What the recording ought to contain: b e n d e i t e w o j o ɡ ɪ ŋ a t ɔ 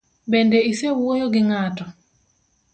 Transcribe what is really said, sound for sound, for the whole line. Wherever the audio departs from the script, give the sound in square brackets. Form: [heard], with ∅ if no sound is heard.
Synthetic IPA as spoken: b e n d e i [s] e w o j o ɡ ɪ ŋ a t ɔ